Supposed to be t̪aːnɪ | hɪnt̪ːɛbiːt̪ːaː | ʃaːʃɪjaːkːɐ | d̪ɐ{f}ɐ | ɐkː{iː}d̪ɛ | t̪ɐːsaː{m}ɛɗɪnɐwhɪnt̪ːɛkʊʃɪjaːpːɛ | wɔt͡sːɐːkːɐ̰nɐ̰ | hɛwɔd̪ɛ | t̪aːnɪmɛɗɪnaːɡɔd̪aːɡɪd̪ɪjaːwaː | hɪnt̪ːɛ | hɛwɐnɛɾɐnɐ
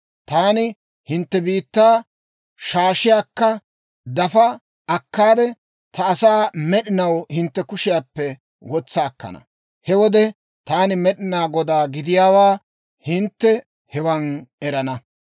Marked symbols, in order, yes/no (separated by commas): yes, no, yes